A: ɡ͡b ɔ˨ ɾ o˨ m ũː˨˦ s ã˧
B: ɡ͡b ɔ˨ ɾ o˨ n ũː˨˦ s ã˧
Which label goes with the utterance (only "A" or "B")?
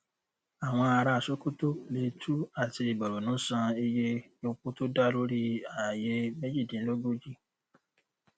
B